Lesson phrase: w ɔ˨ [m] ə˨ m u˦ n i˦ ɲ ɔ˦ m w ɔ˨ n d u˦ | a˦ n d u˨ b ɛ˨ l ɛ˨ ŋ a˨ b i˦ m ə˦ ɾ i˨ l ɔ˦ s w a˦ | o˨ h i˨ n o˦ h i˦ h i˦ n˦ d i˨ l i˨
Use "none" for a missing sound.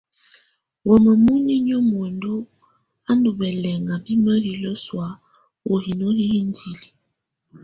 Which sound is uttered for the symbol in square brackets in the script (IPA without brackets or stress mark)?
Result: m